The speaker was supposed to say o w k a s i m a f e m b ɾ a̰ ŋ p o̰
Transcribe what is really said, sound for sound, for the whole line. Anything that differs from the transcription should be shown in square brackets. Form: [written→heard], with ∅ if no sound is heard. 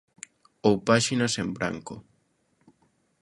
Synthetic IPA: o w [k→p] a [s→ʃ] i [m→n] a [f→s] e m b ɾ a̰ ŋ [p→k] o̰